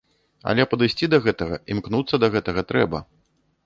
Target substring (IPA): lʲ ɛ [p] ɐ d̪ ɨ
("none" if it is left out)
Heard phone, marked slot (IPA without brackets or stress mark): p